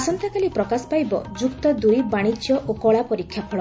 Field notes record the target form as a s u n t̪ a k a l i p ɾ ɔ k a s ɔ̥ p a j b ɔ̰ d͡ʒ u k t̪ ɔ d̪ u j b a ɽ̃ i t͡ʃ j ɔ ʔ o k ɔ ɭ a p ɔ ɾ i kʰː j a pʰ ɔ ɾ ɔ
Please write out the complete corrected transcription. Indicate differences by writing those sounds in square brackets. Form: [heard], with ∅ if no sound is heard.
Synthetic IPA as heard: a s [ɔ] n t̪ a k a l i p ɾ ɔ k a s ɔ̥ p a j b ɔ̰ d͡ʒ u k t̪ ɔ d̪ u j b a ɽ̃ i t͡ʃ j ɔ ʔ o k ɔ ɭ a p ɔ ɾ i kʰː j a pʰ ɔ [ɭ] ɔ